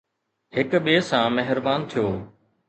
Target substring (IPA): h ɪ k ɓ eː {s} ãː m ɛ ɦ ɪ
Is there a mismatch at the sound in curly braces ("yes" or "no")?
no